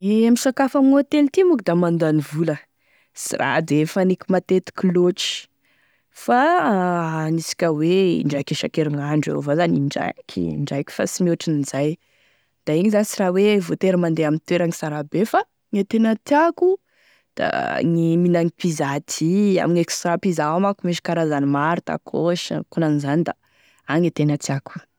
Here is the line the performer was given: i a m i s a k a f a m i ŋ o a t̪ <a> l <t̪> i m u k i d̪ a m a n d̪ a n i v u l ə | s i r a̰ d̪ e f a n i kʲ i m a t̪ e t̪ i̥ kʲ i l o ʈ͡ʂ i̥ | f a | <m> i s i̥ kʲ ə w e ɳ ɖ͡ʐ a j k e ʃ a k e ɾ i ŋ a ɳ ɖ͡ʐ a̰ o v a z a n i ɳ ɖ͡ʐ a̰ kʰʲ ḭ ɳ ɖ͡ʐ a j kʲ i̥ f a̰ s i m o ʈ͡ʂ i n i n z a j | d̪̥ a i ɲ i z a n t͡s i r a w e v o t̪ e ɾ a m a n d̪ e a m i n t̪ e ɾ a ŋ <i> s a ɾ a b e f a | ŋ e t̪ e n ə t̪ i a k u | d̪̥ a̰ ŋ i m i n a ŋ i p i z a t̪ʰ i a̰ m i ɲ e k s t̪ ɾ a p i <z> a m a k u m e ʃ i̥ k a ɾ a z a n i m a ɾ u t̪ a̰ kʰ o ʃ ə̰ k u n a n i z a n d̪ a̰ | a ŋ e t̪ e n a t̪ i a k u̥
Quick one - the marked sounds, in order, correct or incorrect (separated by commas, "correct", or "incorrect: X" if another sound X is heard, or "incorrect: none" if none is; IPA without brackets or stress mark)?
incorrect: e, correct, incorrect: n, correct, correct